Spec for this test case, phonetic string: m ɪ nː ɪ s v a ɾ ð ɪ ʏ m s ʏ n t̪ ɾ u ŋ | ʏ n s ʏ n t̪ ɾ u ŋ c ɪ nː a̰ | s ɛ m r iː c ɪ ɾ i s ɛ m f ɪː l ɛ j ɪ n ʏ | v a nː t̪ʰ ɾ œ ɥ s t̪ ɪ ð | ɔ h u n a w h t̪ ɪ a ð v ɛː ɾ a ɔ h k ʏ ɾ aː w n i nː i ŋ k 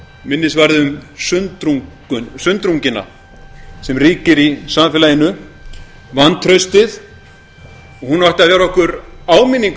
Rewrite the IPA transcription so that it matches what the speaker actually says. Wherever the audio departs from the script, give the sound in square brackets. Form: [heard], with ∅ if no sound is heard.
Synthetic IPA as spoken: m ɪ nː ɪ s v a ɾ ð ɪ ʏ m s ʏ n t̪ ɾ u ŋ | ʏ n s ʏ n t̪ ɾ u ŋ c ɪ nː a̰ | s ɛ m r iː c ɪ ɾ i s [a] m f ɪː l [a] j ɪ n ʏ | v a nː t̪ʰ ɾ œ ɥ s t̪ ɪ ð | ɔ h u n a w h t̪ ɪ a ð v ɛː ɾ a ɔ h k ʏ ɾ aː w [m] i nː i ŋ k